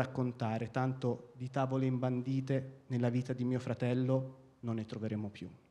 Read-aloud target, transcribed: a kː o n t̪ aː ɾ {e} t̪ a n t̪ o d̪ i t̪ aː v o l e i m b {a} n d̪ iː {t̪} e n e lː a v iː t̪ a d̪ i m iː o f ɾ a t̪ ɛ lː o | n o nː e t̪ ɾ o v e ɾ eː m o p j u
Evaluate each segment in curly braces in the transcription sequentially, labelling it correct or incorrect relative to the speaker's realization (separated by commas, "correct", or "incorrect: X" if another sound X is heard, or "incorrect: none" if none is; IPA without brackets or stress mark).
correct, correct, correct